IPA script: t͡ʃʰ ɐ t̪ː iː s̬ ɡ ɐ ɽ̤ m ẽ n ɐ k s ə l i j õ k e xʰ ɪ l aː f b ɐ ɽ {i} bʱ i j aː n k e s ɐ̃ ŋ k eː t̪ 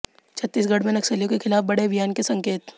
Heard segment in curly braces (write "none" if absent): e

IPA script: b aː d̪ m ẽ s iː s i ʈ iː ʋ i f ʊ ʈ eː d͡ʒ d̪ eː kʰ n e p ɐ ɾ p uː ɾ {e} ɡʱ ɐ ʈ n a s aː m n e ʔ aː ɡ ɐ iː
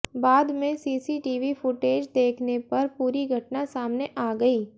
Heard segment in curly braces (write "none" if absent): i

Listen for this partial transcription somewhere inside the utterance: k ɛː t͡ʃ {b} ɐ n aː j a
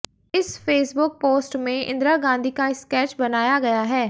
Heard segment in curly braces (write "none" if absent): b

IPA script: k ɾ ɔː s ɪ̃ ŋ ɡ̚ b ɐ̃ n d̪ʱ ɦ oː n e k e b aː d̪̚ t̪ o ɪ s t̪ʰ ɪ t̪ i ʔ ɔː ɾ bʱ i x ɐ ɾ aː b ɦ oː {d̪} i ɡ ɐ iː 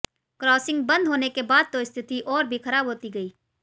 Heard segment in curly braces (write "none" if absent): t̪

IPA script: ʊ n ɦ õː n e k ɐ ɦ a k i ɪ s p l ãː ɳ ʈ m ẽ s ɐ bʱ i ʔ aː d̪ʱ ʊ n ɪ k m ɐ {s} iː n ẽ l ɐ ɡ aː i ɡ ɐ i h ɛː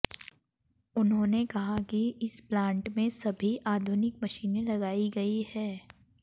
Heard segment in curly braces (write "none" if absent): ʃ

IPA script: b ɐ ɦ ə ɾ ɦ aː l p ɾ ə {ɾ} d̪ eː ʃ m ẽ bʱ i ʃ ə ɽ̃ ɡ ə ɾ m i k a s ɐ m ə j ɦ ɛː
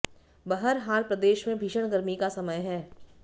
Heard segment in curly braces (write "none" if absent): none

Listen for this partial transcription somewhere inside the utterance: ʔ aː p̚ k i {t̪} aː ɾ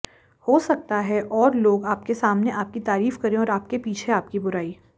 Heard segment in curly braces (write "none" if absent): t̪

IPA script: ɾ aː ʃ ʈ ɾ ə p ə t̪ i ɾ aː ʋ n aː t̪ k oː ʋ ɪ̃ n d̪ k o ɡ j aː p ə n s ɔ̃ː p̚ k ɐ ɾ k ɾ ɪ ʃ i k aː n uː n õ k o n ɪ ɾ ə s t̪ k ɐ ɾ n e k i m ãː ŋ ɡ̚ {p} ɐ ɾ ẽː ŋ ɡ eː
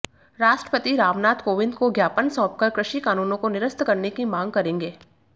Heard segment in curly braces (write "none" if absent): k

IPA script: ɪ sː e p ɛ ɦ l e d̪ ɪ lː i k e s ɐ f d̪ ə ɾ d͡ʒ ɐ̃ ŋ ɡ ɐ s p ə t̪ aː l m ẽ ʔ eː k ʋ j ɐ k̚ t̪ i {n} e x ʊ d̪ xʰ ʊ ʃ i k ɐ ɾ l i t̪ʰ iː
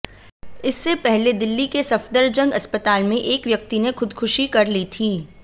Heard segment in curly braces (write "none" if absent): n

